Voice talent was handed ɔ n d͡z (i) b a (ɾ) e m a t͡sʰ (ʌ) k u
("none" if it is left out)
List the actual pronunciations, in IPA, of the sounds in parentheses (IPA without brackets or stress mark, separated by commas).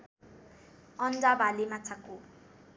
a, l, a